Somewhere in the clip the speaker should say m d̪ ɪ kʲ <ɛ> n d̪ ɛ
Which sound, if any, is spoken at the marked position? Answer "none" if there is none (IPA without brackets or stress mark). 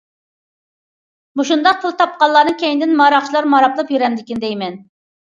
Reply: i